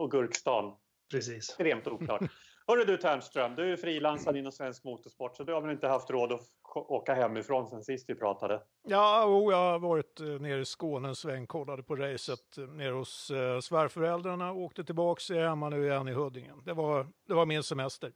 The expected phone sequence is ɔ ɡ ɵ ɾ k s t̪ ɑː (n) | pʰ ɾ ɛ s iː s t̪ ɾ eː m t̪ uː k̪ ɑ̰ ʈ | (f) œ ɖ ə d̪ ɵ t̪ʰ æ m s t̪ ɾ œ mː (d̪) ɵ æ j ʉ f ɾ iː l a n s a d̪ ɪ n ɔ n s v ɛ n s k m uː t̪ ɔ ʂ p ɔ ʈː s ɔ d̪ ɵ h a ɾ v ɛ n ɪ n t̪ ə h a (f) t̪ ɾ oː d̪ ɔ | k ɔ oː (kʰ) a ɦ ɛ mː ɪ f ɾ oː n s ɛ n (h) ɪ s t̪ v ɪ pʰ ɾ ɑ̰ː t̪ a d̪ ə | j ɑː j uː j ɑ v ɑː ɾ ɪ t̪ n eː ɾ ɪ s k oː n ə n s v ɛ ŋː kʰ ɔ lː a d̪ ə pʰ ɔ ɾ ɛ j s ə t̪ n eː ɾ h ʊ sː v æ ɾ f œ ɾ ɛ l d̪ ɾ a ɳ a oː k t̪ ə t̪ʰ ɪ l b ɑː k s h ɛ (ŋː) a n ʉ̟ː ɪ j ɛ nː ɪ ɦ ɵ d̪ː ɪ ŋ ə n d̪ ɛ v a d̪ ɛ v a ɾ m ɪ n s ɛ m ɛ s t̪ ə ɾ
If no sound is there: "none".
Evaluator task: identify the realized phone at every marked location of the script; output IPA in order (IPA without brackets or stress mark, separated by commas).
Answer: n, h, d̪, f, k, s, mː